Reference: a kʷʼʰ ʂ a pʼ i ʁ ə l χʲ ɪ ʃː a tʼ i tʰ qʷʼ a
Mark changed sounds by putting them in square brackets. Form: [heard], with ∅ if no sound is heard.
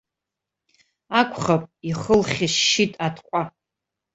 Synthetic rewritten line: a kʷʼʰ [χ] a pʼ i [χ] ə l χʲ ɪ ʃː [i] tʼ [a] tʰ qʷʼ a